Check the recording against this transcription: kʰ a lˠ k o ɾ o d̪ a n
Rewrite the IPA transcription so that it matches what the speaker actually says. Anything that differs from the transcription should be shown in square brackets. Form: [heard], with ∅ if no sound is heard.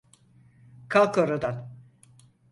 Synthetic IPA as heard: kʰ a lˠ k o ɾ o d̪ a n